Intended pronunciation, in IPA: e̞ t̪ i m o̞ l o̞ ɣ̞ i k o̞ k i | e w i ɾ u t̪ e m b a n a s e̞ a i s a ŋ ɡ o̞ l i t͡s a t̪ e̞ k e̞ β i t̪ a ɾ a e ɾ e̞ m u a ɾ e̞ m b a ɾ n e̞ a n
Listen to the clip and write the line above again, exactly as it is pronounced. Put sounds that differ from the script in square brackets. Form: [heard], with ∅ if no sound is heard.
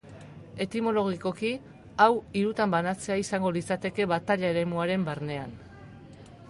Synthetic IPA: e̞ t̪ i m o̞ l o̞ ɣ̞ i k o̞ k i | [a] w i ɾ u t̪ [a] m b a n a [t͡s] e̞ a i s a ŋ ɡ o̞ l i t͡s a t̪ e̞ k e̞ β [a] t̪ a [ʎ] a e ɾ e̞ m u a ɾ e̞ m b a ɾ n e̞ a n